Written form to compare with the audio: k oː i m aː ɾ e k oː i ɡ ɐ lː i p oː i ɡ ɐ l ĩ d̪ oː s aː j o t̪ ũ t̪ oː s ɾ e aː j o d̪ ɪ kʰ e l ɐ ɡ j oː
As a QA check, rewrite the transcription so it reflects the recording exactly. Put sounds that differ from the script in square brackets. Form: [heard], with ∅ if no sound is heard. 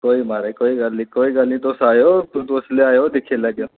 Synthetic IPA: k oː i m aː ɾ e k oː i ɡ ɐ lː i [k] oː i ɡ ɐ l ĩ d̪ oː s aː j o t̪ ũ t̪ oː s [l] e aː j o d̪ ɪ kʰ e l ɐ ɡ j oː

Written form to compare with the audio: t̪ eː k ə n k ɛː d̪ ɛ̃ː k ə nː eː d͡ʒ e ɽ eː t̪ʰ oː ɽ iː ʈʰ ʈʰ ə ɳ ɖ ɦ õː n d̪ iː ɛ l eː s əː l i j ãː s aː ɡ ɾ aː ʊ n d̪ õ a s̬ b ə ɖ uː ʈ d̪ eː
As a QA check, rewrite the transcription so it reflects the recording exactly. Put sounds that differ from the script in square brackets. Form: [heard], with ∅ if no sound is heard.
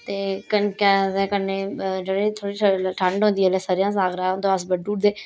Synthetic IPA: t̪ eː k ə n k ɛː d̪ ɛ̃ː k ə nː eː d͡ʒ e ɽ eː t̪ʰ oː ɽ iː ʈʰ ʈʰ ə ɳ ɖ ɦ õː n d̪ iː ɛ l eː s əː [ɾ] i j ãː s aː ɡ ɾ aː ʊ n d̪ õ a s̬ b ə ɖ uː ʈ d̪ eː

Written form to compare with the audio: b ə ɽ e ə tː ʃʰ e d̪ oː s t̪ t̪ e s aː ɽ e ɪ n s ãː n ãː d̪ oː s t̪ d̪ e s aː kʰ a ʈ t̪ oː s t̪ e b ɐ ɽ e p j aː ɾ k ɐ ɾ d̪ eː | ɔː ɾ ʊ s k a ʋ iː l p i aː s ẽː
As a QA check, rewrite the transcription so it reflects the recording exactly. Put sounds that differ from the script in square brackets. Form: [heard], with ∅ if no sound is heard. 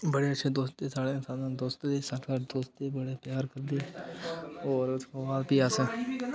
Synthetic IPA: b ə ɽ e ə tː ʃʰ e d̪ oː s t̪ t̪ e s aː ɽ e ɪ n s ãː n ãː d̪ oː s t̪ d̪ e s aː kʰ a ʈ [d̪] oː s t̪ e b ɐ ɽ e p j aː ɾ k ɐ ɾ d̪ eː | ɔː ɾ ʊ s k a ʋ [aː] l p i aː s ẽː

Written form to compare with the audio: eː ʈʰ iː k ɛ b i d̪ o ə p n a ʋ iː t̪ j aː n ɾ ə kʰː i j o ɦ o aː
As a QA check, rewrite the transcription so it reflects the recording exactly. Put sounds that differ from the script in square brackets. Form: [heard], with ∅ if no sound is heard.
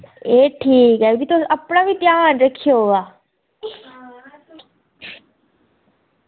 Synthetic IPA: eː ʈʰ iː k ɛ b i [t̪] o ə p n a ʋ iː t̪ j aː n ɾ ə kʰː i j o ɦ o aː

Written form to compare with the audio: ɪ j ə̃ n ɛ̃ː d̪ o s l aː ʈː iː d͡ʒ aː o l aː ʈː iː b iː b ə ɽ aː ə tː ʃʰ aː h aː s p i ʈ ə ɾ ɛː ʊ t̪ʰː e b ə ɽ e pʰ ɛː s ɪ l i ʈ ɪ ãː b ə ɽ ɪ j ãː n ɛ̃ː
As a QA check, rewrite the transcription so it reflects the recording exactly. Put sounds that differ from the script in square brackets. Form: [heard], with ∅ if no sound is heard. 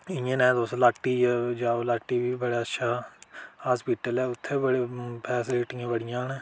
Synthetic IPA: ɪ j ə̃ n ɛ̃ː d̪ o s l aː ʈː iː d͡ʒ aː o l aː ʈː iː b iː b ə ɽ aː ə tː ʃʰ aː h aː s p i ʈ ə [l] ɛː ʊ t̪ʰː e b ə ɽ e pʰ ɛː s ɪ l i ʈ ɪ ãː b ə ɽ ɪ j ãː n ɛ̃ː

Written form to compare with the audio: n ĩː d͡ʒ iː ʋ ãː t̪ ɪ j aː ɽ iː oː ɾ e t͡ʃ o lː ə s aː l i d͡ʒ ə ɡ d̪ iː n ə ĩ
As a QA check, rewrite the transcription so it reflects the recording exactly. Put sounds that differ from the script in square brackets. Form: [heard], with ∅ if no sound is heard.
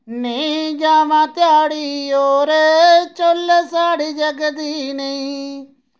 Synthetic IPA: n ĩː d͡ʒ [aː] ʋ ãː t̪ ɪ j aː ɽ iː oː ɾ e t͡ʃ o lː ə s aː [ɽ] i d͡ʒ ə ɡ d̪ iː n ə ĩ

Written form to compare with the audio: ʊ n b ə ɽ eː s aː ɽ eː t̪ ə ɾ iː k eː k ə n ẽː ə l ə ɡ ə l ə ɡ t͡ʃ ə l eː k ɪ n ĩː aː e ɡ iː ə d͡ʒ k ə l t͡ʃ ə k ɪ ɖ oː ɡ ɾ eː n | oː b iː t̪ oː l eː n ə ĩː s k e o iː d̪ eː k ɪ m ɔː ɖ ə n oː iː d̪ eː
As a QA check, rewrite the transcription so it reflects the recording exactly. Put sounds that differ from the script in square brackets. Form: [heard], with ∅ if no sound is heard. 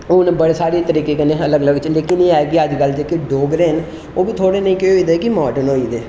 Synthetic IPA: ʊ n b ə ɽ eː s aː [ɾ] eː t̪ ə ɾ iː k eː k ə n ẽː ə l ə ɡ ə l ə ɡ t͡ʃ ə l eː k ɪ n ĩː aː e ɡ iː ə d͡ʒ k ə l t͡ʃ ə k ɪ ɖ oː ɡ ɾ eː n | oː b iː [t̪ʰ] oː [ɽ] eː n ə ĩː [∅] k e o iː d̪ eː k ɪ m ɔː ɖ ə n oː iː d̪ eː

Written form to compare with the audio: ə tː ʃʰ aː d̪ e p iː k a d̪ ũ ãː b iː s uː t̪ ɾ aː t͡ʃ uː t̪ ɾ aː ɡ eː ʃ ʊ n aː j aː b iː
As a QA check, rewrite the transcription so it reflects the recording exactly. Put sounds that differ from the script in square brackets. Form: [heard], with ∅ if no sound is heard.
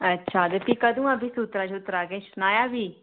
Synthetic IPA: ə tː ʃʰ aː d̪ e p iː k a d̪ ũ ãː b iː s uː t̪ ɾ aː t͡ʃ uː t̪ ɾ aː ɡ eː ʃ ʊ n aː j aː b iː

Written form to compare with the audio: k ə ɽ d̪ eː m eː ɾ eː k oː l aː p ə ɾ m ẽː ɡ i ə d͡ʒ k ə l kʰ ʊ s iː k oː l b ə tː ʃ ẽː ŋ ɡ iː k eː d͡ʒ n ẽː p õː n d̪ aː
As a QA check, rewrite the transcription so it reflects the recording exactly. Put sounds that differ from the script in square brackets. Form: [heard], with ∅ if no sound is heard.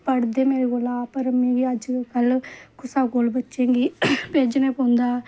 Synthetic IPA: [p] ə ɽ d̪ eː m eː ɾ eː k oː l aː p ə ɾ m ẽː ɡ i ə d͡ʒ k ə l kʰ ʊ s [aː] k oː l b ə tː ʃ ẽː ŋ ɡ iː [p] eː d͡ʒ n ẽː p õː n d̪ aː

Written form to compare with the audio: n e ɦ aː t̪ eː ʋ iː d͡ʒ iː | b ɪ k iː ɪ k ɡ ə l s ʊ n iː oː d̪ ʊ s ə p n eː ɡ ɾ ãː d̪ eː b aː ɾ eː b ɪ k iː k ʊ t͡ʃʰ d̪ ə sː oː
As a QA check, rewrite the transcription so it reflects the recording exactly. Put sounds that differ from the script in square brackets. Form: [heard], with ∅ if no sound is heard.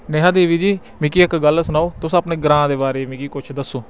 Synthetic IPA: n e ɦ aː [d̪] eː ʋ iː d͡ʒ iː | [m] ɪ k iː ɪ k ɡ ə l s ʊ n [aː] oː [t̪] ʊ s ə p n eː ɡ ɾ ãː d̪ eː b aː ɾ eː [m] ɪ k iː k ʊ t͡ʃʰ d̪ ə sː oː

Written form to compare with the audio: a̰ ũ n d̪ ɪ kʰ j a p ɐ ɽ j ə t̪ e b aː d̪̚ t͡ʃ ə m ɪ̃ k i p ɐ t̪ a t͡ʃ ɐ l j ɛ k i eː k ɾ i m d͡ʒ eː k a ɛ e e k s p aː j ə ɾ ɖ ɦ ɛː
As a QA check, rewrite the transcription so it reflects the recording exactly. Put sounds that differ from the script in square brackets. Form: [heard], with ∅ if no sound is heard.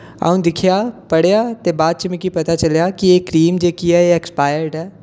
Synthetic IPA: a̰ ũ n d̪ ɪ kʰ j a p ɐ ɽ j [a] t̪ e b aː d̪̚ t͡ʃ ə m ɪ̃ k i p ɐ t̪ a t͡ʃ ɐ l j [a] k i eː k ɾ [iː] m d͡ʒ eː k [i] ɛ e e k s p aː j ə ɾ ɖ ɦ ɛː

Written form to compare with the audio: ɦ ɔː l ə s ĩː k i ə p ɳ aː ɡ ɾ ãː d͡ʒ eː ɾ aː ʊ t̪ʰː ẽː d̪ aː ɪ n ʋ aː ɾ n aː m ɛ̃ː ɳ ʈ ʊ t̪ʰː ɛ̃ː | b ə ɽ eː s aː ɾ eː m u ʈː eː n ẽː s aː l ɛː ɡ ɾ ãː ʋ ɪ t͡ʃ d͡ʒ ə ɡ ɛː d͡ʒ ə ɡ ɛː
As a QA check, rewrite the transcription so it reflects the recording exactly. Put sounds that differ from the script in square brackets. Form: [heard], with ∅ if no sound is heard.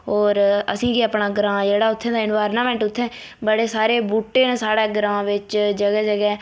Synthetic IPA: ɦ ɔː [ɾ] ə s ĩː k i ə p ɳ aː ɡ ɾ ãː d͡ʒ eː [ɽ] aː ʊ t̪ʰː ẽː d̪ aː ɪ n ʋ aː ɾ n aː m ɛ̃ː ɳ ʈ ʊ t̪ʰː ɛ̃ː | b ə ɽ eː s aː ɾ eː [b] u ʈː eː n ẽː s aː [ɽ] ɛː ɡ ɾ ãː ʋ ɪ t͡ʃ d͡ʒ ə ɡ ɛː d͡ʒ ə ɡ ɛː

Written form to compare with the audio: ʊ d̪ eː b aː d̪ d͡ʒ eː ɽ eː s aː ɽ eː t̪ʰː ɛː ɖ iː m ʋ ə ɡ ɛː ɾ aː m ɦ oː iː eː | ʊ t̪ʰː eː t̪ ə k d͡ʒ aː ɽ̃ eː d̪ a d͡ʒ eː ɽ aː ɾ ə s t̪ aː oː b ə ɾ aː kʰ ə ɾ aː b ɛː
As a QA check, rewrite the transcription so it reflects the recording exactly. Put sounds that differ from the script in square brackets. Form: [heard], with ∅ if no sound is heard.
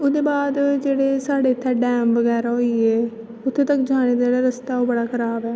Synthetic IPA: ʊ d̪ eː b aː d̪ d͡ʒ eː ɽ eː s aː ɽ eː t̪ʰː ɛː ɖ [ɛː] m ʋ ə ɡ ɛː ɾ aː [∅] ɦ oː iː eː | ʊ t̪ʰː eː t̪ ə k d͡ʒ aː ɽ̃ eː d̪ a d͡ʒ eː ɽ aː ɾ ə s t̪ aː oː b ə [ɽ] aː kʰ ə ɾ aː b ɛː

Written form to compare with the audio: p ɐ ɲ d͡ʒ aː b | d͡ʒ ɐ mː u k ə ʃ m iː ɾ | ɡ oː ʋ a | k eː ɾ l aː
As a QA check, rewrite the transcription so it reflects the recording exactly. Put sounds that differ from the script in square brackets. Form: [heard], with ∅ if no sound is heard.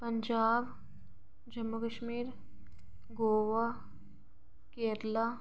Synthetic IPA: p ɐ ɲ d͡ʒ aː b | d͡ʒ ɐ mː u k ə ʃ m iː ɾ | ɡ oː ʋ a | k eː ɾ l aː

